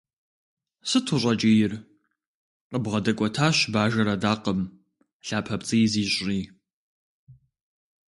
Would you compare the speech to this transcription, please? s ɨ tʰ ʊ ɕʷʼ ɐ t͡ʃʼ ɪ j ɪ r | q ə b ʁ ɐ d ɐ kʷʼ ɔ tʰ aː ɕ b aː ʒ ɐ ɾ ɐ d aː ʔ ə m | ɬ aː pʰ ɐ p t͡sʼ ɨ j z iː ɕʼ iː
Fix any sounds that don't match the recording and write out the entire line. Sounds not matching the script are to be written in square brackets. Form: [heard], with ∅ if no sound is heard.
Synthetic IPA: s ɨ tʰ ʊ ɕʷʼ ɐ t͡ʃʼ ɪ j ɪ r | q ə b ʁ ɐ d ɐ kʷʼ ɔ tʰ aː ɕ b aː ʒ ɐ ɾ ɐ d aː [q] ə m | ɬ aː pʰ ɐ p t͡sʼ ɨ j z iː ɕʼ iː

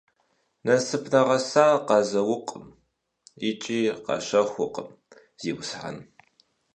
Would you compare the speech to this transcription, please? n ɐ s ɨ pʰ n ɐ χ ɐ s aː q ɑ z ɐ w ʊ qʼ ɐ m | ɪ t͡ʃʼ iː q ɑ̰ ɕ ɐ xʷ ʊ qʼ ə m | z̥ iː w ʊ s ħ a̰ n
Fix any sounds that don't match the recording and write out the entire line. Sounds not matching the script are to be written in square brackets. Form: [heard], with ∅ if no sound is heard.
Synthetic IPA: n ɐ s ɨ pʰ n ɐ [ʁ] ɐ s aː q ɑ z ɐ w ʊ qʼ [ə] m | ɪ t͡ʃʼ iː q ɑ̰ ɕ ɐ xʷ ʊ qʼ ə m | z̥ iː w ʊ s ħ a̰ n

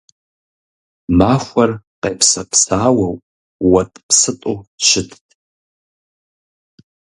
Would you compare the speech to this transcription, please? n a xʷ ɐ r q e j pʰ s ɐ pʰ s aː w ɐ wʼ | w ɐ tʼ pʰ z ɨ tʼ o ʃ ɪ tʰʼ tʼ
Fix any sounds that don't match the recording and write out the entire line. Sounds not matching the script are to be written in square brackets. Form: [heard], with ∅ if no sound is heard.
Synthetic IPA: [m] a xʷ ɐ r q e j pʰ s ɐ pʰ s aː w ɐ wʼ | w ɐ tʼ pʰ [s] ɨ tʼ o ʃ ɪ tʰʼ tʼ

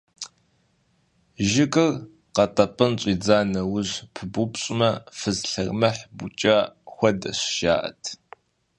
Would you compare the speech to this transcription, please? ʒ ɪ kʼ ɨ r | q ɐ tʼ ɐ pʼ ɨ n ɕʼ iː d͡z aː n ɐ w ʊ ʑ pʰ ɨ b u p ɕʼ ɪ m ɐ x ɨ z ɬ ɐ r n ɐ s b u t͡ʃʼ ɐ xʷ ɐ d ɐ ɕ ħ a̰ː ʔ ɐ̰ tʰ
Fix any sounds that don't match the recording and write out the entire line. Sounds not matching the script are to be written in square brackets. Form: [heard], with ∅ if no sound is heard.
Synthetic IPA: ʒ ɪ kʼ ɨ r | q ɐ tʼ ɐ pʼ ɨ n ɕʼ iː d͡z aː n ɐ w ʊ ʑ pʰ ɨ b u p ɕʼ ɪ m ɐ [f] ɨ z ɬ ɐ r [m] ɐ [ħ] b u t͡ʃʼ ɐ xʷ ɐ d ɐ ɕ [ʃ] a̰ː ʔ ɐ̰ tʰ

